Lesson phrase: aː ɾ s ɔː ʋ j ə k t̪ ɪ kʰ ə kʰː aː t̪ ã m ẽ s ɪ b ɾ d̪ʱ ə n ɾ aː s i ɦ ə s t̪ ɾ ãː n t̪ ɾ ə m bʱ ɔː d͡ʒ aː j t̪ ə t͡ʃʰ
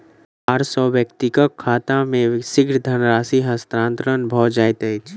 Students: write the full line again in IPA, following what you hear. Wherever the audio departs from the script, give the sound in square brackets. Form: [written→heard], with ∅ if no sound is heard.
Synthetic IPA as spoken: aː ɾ s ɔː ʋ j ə k t̪ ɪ [kʰ→k] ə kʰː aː t̪ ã m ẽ s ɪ [b→ɡ] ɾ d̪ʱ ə n ɾ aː s i ɦ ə s t̪ ɾ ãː n t̪ ɾ ə [m→n] bʱ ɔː d͡ʒ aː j t̪ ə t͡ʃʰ